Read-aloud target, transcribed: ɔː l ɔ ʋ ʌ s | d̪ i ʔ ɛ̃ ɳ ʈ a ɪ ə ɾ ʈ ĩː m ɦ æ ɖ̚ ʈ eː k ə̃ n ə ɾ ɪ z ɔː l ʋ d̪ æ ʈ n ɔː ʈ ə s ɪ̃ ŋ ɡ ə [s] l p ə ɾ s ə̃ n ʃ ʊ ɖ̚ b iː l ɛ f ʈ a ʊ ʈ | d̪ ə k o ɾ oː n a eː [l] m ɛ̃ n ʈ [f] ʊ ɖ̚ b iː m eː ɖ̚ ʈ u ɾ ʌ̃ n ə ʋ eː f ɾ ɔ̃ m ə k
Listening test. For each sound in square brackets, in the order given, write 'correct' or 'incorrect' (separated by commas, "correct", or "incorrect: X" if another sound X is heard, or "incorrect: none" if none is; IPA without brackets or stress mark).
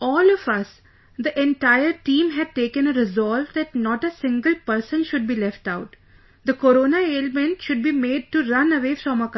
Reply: incorrect: none, correct, incorrect: ʃ